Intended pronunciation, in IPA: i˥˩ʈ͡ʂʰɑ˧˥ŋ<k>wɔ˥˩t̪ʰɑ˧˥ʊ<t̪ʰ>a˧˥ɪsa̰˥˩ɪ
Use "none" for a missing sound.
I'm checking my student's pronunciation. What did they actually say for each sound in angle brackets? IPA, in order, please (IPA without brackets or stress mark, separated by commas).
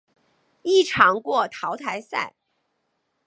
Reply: k, t̪ʰ